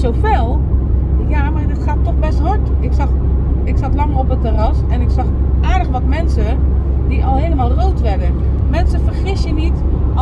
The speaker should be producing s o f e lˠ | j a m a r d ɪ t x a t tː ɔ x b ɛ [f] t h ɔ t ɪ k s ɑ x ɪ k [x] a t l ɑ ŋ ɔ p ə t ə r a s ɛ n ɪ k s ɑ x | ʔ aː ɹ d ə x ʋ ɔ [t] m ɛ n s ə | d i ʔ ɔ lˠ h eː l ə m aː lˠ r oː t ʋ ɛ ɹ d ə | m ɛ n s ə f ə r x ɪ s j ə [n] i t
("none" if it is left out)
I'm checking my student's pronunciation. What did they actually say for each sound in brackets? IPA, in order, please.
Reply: s, s, t, n

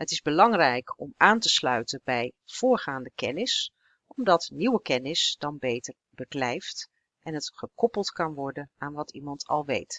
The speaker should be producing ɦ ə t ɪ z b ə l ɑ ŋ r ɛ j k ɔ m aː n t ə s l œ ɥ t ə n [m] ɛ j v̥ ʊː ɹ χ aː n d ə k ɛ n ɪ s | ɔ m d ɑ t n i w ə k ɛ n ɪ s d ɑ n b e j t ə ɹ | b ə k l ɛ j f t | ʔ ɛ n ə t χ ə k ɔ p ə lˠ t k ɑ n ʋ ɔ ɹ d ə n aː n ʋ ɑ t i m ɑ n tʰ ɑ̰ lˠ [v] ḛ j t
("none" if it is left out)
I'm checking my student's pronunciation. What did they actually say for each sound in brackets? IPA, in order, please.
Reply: b, ʋ

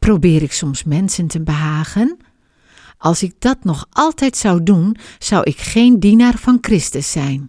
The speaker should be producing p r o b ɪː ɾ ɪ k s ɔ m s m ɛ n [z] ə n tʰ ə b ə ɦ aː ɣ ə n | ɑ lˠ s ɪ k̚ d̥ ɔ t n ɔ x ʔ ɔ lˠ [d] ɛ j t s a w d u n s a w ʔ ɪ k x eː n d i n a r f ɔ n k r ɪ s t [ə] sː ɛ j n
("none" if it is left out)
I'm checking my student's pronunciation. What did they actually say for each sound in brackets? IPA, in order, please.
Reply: s, t, ə

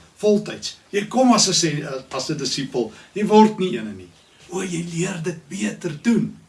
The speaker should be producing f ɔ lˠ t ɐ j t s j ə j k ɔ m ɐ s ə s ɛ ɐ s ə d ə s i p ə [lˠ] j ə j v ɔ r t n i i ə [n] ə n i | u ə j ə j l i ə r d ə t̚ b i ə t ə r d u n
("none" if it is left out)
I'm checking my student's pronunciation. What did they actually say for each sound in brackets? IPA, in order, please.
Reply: lˠ, n

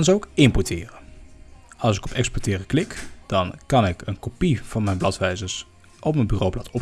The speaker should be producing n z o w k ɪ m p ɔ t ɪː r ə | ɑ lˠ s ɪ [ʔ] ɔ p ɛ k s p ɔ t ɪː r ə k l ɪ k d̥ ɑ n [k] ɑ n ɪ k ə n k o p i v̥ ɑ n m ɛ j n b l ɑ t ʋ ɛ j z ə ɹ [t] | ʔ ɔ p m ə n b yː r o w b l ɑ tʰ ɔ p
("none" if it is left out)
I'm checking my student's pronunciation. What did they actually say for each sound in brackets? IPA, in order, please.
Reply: k, k, s

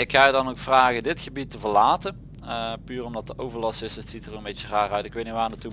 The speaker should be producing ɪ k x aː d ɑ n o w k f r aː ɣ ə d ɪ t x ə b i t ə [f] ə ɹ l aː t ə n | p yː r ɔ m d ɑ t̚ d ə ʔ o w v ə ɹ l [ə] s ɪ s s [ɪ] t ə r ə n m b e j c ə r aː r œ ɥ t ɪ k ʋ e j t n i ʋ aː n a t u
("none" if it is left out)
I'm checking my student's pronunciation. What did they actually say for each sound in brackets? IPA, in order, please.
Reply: v, ɑ, i

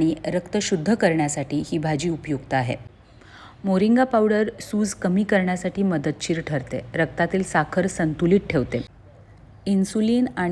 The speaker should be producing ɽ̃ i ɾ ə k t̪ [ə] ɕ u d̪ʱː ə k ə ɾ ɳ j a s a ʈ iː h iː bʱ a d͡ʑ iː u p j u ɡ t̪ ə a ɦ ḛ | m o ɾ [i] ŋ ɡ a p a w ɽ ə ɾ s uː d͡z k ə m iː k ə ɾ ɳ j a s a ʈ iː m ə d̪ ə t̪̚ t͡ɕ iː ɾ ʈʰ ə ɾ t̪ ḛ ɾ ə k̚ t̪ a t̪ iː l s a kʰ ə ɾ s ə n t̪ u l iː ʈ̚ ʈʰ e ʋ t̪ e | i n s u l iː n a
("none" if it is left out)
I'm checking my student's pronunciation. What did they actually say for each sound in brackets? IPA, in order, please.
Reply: ə, i

